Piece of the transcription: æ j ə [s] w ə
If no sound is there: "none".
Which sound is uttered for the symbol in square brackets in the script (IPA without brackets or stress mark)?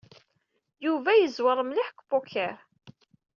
z